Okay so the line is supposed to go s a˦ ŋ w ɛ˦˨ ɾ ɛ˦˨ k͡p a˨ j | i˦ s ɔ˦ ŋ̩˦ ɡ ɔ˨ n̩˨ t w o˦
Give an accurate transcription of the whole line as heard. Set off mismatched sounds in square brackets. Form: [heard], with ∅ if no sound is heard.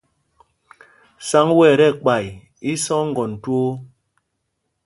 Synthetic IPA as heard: s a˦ ŋ w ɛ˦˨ ɾ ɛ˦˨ k͡p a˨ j | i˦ s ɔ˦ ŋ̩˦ ɡ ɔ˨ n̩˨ t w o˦